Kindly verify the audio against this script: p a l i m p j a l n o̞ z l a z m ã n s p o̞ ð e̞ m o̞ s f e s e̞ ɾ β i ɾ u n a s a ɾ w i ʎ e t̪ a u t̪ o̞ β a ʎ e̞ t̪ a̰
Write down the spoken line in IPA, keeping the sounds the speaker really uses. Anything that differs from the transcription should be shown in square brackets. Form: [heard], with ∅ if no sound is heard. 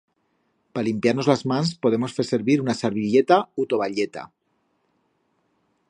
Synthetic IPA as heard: p a l i m p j a [ɾ] n o̞ z l a z m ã n s p o̞ ð e̞ m o̞ s f e s e̞ ɾ β i ɾ u n a s a ɾ [β] i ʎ e t̪ a u t̪ o̞ β a ʎ e̞ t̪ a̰

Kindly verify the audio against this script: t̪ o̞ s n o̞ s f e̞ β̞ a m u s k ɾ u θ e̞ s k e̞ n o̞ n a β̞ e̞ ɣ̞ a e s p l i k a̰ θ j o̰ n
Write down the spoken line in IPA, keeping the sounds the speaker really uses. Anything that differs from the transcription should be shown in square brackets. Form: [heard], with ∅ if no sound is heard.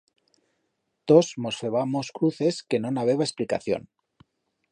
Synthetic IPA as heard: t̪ o̞ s [m] o̞ s f e̞ β̞ a m [o] s k ɾ u θ e̞ s k e̞ n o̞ n a β̞ e̞ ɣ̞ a e s p l i k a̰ θ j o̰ n

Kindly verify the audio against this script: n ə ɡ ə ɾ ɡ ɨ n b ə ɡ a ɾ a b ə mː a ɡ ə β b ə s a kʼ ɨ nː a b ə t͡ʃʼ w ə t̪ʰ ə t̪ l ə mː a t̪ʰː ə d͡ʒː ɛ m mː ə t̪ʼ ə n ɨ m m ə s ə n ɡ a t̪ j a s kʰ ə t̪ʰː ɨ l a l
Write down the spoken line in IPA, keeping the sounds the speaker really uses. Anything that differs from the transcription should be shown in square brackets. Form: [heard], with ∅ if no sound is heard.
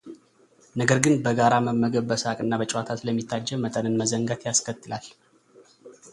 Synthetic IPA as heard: n ə ɡ ə ɾ ɡ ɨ n b ə ɡ a ɾ a [m] ə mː [ə] ɡ ə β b ə s a kʼ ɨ nː a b ə t͡ʃʼ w [a] t̪ʰ [a] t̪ l ə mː [i] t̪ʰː [a] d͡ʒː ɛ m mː ə t̪ʼ ə n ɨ [n] m ə [z] ə [ŋ] ɡ a t̪ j a s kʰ ə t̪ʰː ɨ l a l

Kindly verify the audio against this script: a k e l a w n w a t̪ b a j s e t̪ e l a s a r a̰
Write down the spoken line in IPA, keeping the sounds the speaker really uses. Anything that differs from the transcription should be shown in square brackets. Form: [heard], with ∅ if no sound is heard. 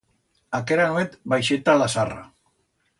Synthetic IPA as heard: a k e [ɾ] a [∅] n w [e] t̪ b a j [ʃ] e t̪ [a] l a s a r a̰

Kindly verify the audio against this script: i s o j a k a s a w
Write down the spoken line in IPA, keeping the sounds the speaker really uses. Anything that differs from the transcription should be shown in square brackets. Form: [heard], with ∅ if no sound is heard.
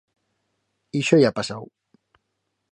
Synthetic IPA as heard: i [ʃ] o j a [p] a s a w

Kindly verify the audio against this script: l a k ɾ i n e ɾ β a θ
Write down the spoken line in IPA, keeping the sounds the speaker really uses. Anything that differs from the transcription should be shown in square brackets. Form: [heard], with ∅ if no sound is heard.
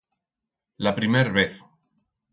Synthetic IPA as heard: l a [p] ɾ i [m] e ɾ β [e] θ

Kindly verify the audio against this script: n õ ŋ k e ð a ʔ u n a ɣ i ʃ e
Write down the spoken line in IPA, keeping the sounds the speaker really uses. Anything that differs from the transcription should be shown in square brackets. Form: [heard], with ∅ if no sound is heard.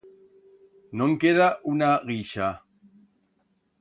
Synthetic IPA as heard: n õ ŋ k e ð a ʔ u n a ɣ i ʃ [a]

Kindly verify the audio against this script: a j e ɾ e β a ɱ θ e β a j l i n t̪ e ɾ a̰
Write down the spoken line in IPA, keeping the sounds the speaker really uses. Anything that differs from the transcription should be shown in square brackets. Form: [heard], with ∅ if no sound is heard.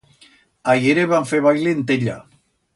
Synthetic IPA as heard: a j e ɾ e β a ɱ [f] e β a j l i n t̪ e [ʎ] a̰

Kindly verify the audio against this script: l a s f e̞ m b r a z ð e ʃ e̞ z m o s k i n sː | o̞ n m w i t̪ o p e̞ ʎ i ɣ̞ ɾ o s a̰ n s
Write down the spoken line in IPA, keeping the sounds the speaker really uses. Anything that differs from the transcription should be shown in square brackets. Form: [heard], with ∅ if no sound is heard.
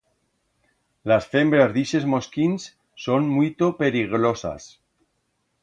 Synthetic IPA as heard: l a s f e̞ m b [ɾ] a z ð [i] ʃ e̞ z m o s k i n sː | o̞ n m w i t̪ o p e̞ [ɾ] i ɣ̞ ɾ o s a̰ [∅] s

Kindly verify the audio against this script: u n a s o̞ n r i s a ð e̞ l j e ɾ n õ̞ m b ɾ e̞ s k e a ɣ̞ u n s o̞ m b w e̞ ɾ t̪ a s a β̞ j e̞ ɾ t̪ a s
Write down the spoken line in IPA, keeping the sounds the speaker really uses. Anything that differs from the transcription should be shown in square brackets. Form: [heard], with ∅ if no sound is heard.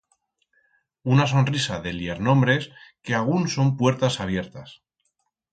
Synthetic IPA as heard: u n a s o̞ n r i s a ð e̞ l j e ɾ n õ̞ m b ɾ e̞ s k e a ɣ̞ u n s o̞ m [p] w e̞ ɾ t̪ a s a β̞ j e̞ ɾ t̪ a s

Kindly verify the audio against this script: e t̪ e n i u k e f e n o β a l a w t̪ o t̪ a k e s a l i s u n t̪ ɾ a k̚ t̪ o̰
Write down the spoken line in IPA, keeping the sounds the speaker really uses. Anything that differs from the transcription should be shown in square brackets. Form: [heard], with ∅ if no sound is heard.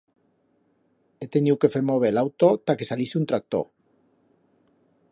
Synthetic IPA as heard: e t̪ e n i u k e f e [m] o β [e] l a w t̪ o t̪ a k e s a l i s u n t̪ ɾ a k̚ t̪ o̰

